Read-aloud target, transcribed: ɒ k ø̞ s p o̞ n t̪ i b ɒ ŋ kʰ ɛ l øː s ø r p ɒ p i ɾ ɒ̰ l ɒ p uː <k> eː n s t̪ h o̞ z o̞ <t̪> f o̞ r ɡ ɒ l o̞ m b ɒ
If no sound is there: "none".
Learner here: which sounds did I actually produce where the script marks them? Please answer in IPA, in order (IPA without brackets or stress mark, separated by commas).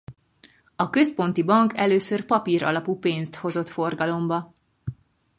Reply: p, t̪